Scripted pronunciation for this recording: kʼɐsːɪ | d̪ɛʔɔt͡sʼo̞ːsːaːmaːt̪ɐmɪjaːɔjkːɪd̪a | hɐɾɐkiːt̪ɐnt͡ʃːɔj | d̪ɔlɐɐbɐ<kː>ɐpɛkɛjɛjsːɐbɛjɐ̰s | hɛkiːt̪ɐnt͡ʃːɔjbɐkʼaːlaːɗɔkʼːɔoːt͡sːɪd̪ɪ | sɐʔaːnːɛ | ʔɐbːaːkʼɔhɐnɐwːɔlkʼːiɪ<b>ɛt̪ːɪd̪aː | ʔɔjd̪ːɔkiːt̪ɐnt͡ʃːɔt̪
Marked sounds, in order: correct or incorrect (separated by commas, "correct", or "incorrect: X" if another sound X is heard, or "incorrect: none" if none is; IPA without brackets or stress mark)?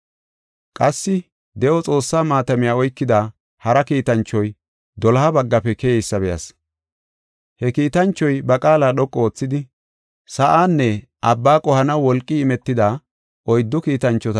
incorrect: ɡː, incorrect: m